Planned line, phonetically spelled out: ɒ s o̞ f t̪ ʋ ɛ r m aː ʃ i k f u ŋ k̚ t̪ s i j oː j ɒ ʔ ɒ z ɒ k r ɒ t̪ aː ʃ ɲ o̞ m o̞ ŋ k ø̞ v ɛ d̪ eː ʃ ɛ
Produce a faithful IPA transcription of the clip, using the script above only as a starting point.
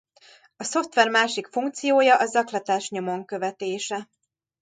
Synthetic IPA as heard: ɒ s o̞ f t̪ ʋ ɛ r m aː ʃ i k f u ŋ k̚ t̪ s i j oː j ɒ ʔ ɒ z ɒ k l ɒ t̪ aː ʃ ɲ o̞ m o̞ ŋ k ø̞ v ɛ t̪ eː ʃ ɛ